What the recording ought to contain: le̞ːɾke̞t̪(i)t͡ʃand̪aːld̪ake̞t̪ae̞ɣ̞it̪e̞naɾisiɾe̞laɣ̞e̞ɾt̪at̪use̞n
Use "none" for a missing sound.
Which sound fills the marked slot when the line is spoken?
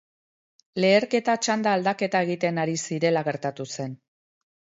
a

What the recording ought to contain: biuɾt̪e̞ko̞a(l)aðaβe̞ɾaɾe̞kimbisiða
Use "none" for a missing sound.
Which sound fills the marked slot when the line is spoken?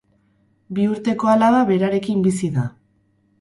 l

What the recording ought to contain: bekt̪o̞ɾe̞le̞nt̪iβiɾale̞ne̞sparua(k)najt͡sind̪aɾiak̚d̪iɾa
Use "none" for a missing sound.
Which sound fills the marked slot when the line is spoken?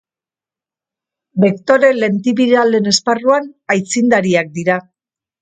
none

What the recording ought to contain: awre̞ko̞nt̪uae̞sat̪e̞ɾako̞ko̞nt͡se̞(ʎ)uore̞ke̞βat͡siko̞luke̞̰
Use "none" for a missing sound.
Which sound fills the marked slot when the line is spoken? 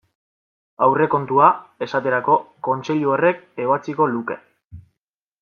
ʎ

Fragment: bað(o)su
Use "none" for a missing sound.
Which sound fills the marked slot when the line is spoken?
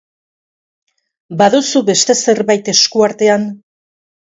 u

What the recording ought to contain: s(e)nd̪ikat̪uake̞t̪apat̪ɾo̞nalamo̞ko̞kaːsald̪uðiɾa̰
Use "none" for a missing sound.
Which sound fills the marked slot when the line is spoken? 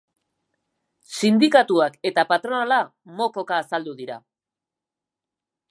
i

